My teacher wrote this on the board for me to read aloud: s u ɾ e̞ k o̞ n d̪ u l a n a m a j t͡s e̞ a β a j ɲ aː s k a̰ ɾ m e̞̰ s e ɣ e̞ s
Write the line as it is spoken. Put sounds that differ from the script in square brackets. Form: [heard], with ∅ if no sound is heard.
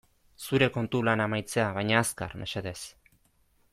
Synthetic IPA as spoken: s u ɾ e̞ k o̞ n [t̪] u l a n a m a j t͡s e̞ a β a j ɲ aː s k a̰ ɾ m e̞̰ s e [ð] e̞ s